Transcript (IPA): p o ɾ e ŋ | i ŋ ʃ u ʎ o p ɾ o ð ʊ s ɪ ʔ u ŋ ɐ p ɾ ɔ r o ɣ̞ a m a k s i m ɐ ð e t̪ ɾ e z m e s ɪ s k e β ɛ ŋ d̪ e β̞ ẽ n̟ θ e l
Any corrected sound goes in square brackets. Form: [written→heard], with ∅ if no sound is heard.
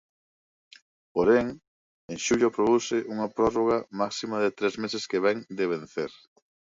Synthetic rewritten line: p o ɾ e ŋ | [i→e] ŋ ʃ u ʎ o p ɾ o ð [ʊ→u] s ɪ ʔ u ŋ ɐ p ɾ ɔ r o ɣ̞ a m a k s i m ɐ ð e t̪ ɾ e z m e s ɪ s k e β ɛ ŋ d̪ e β̞ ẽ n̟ θ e [l→ɾ]